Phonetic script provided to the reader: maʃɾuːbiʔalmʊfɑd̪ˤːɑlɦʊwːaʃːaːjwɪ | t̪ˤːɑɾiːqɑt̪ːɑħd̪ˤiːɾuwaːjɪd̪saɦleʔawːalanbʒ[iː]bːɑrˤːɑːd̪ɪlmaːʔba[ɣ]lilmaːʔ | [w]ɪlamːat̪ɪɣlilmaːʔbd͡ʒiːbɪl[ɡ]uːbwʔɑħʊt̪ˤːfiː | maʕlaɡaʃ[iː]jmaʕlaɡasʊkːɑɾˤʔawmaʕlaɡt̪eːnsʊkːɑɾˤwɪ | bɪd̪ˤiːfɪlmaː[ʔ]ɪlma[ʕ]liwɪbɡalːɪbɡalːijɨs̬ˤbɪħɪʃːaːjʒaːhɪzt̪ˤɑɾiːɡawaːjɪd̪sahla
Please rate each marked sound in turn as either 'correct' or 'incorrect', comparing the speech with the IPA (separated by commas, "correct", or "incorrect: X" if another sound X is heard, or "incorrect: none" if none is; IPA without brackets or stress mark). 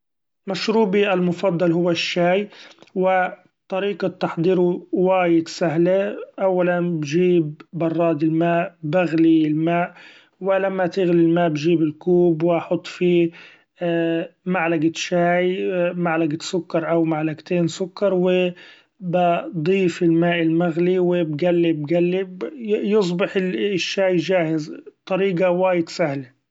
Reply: correct, correct, correct, incorrect: k, incorrect: aː, correct, incorrect: ɣ